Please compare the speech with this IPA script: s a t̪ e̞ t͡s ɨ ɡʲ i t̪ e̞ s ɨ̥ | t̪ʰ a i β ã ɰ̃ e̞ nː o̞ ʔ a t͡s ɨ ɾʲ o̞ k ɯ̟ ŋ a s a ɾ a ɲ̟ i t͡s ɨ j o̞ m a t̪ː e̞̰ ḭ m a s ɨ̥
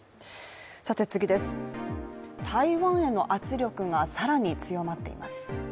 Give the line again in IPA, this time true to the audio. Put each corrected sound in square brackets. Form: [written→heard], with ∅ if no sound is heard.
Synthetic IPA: s a t̪ e̞ t͡s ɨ ɡʲ i [t̪→d̪] e̞ s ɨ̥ | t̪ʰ a i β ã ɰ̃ e̞ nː o̞ ʔ a t͡s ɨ ɾʲ o̞ k ɯ̟ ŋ a s a ɾ a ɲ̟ i t͡s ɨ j o̞ m a t̪ː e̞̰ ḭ m a s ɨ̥